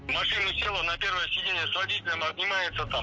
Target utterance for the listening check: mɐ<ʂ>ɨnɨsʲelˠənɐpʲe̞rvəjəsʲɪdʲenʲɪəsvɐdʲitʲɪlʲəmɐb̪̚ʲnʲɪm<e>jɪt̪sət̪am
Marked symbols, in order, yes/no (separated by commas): yes, no